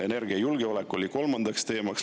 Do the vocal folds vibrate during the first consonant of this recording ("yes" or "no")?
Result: yes